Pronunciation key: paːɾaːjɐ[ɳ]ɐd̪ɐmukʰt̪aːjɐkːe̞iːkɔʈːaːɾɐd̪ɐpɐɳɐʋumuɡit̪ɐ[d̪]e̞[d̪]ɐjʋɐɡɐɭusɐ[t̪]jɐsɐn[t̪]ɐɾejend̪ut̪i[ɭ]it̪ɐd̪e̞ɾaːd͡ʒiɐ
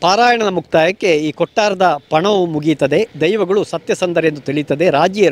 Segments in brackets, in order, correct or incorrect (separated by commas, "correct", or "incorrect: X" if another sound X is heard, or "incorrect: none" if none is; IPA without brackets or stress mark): correct, correct, correct, correct, incorrect: d̪, correct